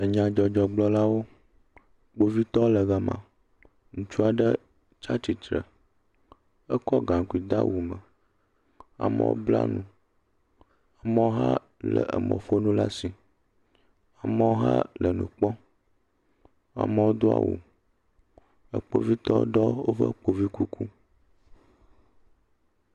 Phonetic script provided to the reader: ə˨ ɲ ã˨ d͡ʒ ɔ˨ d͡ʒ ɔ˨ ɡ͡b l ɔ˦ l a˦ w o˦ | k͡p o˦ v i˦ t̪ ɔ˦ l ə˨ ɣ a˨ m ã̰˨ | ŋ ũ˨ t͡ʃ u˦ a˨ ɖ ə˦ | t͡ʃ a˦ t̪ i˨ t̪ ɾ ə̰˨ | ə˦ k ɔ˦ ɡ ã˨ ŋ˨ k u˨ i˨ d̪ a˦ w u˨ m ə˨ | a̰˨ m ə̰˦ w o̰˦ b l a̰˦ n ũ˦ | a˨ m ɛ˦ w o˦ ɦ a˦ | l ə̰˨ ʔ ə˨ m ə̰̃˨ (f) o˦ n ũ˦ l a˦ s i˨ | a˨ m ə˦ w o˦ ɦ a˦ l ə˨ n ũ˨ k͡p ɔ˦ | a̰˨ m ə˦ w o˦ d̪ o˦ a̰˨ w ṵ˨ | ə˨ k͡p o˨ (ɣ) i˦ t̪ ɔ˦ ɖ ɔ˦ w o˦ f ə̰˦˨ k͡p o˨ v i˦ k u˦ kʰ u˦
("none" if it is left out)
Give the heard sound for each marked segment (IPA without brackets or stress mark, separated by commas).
f, v